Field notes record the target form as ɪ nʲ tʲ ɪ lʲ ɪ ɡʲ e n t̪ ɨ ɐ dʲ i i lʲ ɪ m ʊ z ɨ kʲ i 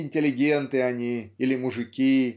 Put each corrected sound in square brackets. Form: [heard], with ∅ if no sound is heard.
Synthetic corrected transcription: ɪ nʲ tʲ ɪ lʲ ɪ ɡʲ e n t̪ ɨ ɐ [nʲ] i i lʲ ɪ m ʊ [ʐ] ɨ kʲ i